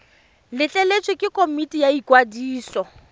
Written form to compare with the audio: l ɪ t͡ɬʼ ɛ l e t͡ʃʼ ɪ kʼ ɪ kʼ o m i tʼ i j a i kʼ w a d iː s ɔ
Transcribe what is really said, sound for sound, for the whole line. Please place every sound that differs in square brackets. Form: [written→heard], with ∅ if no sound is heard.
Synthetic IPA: l ɪ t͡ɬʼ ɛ l e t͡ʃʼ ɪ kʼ ɪ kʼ o m i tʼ i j a i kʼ w a d iː s ɔ

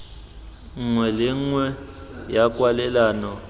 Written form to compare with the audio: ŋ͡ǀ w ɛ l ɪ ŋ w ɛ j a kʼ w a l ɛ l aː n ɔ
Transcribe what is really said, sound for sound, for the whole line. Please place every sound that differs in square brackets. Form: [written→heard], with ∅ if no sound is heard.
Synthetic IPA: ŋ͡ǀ w ɛ l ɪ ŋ w ɛ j a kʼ w a l ɛ l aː n ɔ

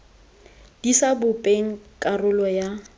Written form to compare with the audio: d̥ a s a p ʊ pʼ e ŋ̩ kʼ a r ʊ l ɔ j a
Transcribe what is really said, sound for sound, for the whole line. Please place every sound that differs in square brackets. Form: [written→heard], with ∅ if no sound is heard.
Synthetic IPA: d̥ [a→i] s a [p→b] ʊ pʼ e ŋ̩ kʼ a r ʊ l ɔ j a

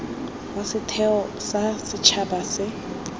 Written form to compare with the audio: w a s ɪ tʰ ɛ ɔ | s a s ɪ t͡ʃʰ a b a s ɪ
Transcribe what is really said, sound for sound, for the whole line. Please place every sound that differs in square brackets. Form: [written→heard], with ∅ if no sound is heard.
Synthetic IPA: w a s ɪ tʰ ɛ ɔ | s a s ɪ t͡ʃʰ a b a s ɪ

